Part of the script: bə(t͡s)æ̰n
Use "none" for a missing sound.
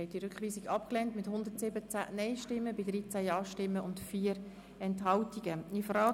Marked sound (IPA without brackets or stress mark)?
t͡s